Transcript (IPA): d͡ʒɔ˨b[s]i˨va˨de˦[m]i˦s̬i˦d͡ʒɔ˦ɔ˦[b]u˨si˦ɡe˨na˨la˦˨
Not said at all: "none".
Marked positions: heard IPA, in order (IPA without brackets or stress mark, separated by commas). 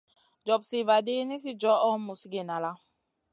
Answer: s, n, m